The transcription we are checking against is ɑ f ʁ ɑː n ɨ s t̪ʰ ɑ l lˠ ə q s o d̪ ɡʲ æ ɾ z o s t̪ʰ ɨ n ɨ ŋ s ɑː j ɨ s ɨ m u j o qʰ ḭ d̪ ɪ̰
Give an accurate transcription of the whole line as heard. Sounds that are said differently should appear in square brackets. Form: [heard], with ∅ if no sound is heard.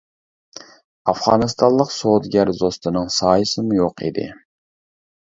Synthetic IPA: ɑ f ʁ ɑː n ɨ s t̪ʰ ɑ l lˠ ə q s o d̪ ɡʲ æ ɾ z o s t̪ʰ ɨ n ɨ ŋ s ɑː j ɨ s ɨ m u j o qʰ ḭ d̪ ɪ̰